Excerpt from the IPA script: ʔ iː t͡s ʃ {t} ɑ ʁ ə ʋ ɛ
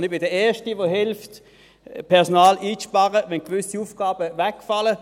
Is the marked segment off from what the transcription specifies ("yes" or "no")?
yes